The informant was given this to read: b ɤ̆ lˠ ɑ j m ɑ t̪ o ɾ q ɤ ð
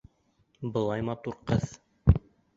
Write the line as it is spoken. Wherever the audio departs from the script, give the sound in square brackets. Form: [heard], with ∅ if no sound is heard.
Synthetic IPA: b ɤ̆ lˠ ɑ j m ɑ t̪ [u] ɾ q ɤ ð